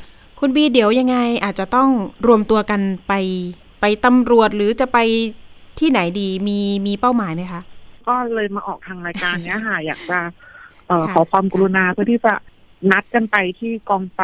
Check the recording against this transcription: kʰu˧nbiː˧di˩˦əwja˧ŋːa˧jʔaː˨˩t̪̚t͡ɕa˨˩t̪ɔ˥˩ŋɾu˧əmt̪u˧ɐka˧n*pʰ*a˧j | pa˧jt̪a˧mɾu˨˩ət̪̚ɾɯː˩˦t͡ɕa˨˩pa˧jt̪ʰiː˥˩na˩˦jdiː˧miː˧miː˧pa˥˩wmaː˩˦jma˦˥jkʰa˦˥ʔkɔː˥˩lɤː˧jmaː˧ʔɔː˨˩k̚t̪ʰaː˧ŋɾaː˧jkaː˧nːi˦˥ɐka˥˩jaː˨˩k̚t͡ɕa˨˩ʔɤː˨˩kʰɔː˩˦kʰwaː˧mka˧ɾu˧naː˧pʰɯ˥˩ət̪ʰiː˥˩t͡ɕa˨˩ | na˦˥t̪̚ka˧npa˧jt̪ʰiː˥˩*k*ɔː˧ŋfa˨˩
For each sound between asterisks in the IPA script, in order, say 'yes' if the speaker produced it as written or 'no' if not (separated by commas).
no, yes